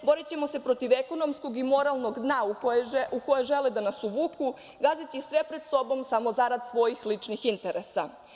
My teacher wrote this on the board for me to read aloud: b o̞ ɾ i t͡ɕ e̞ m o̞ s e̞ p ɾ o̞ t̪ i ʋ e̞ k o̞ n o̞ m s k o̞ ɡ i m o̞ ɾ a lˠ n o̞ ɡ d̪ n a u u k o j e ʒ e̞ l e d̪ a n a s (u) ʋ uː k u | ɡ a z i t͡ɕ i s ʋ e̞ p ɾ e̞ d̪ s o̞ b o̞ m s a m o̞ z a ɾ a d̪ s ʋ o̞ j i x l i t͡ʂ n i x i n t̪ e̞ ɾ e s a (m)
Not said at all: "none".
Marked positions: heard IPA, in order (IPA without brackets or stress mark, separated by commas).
u, none